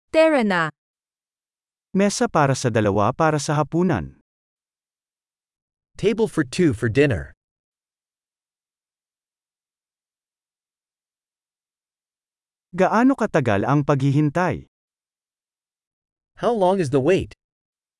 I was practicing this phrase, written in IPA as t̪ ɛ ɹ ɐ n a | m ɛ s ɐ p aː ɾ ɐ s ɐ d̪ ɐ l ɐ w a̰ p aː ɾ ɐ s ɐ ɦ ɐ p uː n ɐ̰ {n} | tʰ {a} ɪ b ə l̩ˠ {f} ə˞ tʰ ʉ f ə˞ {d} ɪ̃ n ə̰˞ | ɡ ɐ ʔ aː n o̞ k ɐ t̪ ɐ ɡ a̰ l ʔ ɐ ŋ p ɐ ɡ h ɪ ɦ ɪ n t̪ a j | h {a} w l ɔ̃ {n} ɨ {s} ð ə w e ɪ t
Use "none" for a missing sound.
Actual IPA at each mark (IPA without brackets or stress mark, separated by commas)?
n, e, f, d, a, ŋ, z